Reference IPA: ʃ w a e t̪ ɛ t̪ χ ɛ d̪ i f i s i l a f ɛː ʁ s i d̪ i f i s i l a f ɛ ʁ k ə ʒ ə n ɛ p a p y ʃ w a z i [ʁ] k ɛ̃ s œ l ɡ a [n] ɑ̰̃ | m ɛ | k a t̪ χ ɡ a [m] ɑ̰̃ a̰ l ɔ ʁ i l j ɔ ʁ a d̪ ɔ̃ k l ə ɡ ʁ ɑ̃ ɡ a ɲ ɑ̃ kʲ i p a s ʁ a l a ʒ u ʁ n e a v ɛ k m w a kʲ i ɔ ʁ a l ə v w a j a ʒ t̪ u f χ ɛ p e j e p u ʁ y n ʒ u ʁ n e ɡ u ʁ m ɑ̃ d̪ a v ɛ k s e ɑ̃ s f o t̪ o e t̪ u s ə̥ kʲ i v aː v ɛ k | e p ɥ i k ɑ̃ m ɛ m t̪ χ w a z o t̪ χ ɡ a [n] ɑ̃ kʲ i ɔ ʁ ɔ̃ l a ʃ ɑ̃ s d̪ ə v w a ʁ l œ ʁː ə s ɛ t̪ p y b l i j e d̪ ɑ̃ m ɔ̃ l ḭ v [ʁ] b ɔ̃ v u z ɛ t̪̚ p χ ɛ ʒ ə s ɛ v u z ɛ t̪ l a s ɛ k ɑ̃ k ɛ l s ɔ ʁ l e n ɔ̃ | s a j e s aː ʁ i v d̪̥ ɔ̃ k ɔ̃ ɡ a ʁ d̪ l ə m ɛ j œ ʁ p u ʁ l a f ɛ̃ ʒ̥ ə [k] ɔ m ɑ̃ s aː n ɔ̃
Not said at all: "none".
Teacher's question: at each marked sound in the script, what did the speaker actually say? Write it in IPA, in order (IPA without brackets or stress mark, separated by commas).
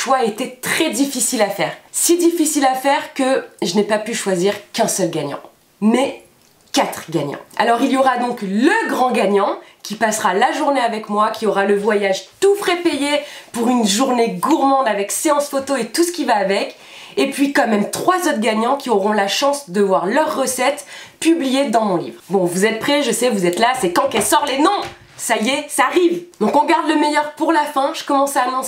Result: ʁ, ɲ, ɲ, ɲ, ʁ, k